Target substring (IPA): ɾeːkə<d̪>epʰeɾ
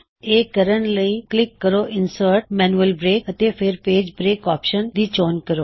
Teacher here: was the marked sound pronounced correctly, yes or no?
no